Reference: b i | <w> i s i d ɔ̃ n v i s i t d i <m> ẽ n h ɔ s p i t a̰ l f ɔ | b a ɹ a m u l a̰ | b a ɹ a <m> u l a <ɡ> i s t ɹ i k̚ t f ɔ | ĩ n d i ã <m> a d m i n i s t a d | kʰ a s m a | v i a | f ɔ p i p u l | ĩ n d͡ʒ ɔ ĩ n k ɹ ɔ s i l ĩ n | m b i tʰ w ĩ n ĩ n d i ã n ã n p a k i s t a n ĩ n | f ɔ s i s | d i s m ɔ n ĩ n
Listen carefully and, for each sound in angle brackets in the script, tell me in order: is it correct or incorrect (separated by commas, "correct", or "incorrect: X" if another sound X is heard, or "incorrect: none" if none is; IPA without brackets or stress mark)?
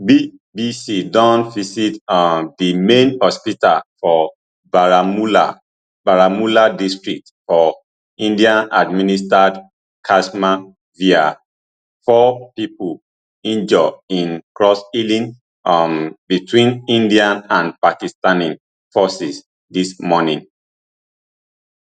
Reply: incorrect: b, correct, correct, incorrect: d, incorrect: n